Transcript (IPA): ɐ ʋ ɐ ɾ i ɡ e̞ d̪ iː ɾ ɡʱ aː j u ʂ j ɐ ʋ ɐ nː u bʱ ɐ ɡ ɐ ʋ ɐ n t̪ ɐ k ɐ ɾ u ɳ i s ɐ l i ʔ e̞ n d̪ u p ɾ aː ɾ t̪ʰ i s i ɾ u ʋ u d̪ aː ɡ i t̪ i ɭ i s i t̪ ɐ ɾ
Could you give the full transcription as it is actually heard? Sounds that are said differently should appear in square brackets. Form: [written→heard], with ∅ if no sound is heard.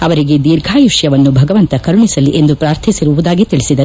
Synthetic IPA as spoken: ɐ ʋ ɐ ɾ i ɡ e̞ d̪ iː ɾ ɡʱ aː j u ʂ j ɐ ʋ ɐ nː u bʱ ɐ ɡ ɐ ʋ ɐ n t̪ ɐ k ɐ ɾ u ɳ i s ɐ l i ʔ e̞ n d̪ u p ɾ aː ɾ t̪ʰ i s i ɾ u ʋ u d̪ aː ɡ i t̪ i ɭ i s i [t̪→d̪] ɐ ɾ